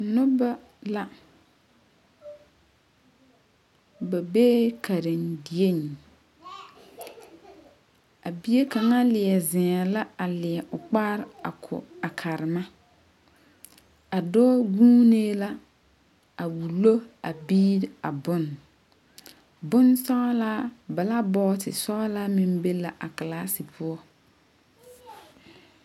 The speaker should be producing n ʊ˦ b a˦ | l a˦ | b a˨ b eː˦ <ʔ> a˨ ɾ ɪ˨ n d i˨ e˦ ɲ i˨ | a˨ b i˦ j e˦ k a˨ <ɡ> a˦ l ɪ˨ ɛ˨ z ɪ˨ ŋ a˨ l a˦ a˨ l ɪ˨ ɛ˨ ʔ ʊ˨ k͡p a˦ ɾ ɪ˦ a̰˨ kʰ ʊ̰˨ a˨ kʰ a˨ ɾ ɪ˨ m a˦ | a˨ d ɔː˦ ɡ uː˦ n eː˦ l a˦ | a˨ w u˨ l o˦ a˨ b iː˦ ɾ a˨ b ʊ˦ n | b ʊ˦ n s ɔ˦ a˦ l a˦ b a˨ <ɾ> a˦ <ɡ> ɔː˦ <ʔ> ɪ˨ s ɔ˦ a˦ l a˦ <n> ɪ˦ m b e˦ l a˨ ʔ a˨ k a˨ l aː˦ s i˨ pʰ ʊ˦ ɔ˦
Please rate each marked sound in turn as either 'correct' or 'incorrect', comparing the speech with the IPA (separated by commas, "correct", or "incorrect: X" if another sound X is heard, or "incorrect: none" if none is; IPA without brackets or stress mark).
incorrect: k, incorrect: ŋ, incorrect: l, incorrect: b, incorrect: t, incorrect: m